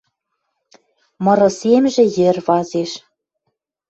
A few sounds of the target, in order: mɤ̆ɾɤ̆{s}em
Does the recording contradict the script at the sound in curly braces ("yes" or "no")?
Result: no